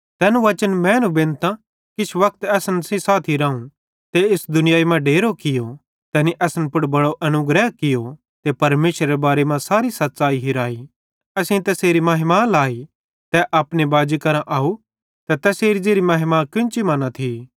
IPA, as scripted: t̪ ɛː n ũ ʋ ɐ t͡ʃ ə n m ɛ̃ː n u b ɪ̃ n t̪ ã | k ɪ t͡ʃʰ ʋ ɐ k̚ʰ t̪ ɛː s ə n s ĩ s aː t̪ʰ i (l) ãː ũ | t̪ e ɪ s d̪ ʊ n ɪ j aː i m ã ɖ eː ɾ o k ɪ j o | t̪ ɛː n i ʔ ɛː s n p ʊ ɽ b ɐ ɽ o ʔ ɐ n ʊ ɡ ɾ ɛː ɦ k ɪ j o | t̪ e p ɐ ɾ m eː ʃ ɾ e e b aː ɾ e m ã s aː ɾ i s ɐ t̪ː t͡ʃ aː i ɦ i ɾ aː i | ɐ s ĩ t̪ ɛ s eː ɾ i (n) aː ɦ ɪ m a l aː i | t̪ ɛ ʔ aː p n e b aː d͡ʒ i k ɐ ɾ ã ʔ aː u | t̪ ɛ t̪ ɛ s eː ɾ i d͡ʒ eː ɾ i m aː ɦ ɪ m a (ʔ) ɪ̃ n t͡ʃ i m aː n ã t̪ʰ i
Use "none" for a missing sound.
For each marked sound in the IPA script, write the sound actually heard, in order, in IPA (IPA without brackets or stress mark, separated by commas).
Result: ɾ, m, k